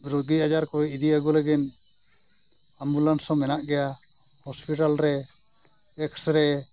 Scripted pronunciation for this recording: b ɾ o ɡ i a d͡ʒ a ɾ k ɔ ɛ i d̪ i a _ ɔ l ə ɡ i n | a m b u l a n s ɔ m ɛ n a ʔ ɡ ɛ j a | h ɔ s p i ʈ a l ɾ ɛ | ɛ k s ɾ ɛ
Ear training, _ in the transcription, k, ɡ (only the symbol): ɡ